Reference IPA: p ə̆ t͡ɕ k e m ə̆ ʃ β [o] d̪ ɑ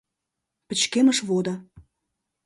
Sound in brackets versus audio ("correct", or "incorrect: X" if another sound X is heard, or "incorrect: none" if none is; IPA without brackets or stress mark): correct